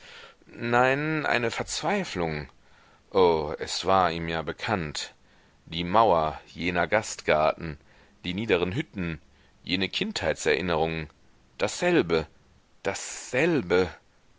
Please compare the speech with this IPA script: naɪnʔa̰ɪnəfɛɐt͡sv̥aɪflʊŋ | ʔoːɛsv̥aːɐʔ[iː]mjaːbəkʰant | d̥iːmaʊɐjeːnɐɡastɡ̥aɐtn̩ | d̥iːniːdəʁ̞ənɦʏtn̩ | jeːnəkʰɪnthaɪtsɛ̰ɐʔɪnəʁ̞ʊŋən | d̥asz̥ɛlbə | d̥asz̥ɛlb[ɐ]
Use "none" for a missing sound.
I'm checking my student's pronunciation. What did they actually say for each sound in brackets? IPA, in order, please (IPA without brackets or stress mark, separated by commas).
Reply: iː, ə